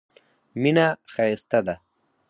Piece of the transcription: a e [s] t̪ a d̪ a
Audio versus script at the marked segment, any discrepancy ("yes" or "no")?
no